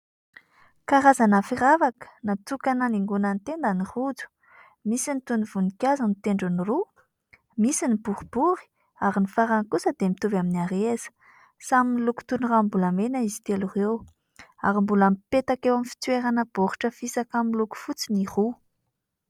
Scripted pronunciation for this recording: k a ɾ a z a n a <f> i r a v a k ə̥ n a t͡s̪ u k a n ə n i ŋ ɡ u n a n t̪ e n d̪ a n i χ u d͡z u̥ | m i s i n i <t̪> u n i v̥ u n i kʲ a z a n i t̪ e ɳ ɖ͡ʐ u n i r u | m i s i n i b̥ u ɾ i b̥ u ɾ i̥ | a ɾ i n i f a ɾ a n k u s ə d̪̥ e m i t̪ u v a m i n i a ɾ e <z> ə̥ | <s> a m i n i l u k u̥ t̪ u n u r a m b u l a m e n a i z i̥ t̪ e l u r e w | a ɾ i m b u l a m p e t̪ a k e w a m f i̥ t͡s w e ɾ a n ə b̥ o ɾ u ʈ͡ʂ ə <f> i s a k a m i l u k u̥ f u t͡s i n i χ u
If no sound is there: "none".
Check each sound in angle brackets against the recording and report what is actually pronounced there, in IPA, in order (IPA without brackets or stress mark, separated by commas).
f, t̪, z, s, f